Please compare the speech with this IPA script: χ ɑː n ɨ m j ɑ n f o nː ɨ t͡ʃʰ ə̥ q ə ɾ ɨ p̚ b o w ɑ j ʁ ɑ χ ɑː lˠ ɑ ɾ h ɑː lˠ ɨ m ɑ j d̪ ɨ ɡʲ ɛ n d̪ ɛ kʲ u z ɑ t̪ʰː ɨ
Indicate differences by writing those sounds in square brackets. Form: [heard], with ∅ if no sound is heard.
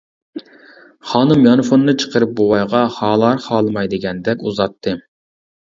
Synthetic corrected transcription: χ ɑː n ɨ m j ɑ n f o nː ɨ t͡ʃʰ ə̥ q ə ɾ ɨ p̚ b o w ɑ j ʁ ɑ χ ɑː lˠ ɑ ɾ [χ] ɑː lˠ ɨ m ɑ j d̪ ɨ ɡʲ ɛ n d̪ ɛ kʲ u z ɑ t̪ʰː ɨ

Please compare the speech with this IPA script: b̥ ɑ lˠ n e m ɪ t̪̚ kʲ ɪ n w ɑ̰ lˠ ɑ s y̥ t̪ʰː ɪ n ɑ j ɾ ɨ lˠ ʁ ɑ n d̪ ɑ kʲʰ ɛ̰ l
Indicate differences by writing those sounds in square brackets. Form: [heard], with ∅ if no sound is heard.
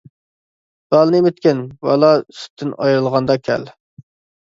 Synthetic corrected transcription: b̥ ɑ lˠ n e m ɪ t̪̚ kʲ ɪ n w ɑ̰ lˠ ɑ s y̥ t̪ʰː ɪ n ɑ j ɾ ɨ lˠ ʁ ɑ n d̪ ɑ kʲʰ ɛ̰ l

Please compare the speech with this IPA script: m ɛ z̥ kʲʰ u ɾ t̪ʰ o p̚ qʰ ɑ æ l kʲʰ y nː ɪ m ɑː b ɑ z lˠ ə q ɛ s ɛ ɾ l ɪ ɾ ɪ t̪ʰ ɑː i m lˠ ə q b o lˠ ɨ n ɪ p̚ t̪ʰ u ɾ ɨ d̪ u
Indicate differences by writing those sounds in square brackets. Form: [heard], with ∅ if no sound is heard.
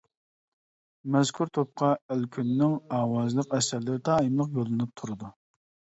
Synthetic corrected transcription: m ɛ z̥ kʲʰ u ɾ t̪ʰ o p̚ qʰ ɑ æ l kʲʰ y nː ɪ [ŋ] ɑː [w] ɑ z lˠ ə q ɛ s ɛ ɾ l ɪ ɾ ɪ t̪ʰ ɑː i m lˠ ə q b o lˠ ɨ n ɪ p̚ t̪ʰ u ɾ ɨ d̪ u

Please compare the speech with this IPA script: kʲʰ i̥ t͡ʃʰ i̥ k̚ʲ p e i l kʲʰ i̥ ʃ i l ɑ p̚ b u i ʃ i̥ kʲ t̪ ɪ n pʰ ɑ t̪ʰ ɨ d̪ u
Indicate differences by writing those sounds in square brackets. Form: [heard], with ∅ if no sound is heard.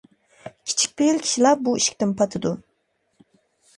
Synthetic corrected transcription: kʲʰ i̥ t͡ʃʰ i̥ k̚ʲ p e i l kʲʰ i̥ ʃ i l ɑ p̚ b u i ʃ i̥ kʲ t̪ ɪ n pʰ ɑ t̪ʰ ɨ d̪ u

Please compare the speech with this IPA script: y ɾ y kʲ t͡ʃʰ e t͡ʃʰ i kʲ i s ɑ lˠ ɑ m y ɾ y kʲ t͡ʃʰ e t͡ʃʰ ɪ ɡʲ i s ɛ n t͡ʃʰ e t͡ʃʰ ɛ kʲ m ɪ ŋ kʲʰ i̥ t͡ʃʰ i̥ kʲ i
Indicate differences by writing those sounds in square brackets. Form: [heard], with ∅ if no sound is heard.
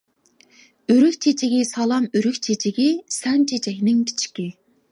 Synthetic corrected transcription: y ɾ y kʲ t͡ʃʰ e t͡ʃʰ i [ɡʲ] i s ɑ lˠ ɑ m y ɾ y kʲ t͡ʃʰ e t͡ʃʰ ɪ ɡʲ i s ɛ n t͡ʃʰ e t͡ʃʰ ɛ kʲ [n] ɪ ŋ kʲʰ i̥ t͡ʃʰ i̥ kʲ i

